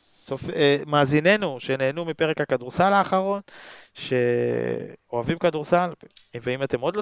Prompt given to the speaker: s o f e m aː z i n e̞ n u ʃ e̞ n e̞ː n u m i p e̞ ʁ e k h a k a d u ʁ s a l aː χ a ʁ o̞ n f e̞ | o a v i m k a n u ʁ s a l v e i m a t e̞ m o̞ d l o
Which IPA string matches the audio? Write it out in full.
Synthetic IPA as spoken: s o f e m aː z i n e̞ n u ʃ e̞ n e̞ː n u m i p e̞ ʁ e k h a k a d u ʁ s a l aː χ a ʁ o̞ n ʃ e̞ | o a v i m k a d u ʁ s a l v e i m a t e̞ m o̞ d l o